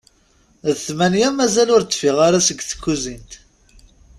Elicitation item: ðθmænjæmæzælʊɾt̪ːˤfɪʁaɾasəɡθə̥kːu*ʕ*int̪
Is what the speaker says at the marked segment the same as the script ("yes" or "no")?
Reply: no